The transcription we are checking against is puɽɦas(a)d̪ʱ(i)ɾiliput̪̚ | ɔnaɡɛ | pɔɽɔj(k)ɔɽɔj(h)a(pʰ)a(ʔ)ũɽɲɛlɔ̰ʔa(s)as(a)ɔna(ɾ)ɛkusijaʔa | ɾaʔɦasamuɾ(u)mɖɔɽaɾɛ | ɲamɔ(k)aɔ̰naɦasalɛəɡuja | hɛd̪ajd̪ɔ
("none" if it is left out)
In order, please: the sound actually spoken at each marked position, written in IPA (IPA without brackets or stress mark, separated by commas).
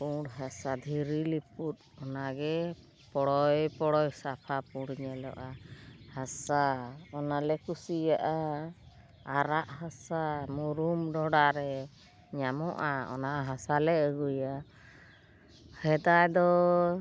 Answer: a, i, p, s, pʰ, p, h, a, l, u, ʔ